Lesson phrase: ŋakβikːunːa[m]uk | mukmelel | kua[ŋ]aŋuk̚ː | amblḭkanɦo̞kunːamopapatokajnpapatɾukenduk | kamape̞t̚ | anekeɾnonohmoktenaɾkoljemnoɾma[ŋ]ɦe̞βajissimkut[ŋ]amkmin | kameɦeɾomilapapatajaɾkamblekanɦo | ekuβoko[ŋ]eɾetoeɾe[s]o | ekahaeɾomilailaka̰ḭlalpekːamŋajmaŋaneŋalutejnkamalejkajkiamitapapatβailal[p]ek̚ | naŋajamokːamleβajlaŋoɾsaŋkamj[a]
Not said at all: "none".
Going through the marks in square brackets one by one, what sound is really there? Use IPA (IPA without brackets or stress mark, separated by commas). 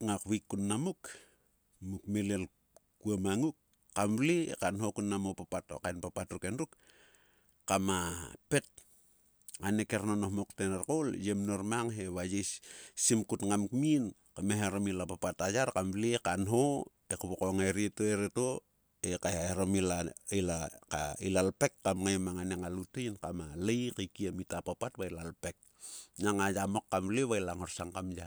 m, m, ŋ, ŋ, ŋ, t, p, a